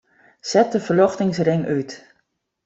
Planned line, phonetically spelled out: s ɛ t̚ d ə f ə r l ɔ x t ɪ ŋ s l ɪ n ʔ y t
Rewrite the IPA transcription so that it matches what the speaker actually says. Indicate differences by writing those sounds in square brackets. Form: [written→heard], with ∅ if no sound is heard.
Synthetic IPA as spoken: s ɛ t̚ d ə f ə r l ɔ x t ɪ ŋ s [l→r] ɪ [n→ŋ] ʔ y t